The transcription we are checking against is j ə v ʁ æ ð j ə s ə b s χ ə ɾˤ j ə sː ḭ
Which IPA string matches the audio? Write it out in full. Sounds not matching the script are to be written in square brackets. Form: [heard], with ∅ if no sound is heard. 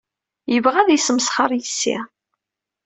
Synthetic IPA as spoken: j ə v ʁ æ ð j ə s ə [m] s χ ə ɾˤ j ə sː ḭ